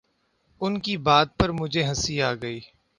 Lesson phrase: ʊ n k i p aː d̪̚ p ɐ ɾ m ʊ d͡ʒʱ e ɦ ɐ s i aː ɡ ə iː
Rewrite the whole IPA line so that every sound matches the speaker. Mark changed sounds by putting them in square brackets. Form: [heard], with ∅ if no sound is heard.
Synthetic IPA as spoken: ʊ n k i [b] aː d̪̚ p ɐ ɾ m ʊ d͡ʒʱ e ɦ ɐ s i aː ɡ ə iː